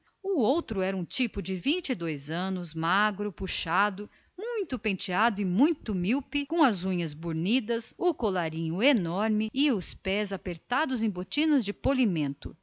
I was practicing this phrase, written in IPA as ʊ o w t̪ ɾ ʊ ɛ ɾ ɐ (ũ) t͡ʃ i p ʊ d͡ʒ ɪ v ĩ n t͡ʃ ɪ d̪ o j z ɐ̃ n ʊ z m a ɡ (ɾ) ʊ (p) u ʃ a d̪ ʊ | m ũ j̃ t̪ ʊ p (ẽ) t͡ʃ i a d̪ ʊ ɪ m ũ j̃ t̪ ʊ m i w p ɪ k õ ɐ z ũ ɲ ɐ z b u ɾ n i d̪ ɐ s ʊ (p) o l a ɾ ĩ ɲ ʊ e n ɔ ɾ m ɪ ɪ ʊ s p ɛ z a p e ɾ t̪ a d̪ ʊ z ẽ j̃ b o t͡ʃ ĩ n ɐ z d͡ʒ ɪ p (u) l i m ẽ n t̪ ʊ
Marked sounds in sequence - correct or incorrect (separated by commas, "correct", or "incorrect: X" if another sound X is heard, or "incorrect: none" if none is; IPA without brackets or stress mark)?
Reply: correct, correct, correct, correct, incorrect: k, incorrect: o